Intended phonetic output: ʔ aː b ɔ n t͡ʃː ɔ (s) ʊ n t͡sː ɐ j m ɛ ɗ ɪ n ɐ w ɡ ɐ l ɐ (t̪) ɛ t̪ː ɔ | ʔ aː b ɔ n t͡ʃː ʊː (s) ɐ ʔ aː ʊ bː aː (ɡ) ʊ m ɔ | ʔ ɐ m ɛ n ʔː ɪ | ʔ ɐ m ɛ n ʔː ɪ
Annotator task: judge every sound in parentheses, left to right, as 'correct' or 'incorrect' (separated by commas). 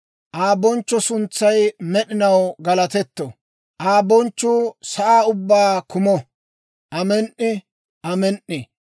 correct, correct, correct, incorrect